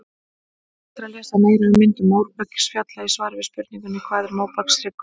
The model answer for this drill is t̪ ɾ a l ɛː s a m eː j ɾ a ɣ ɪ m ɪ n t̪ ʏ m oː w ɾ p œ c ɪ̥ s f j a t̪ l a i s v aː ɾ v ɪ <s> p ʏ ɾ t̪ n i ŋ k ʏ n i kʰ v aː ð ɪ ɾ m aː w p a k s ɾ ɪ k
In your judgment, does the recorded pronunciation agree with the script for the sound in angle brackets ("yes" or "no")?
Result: yes